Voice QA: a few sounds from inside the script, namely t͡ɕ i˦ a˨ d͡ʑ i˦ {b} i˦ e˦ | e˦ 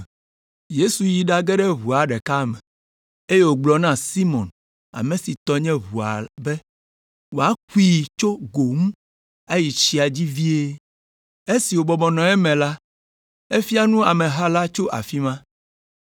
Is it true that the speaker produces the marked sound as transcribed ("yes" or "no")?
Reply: no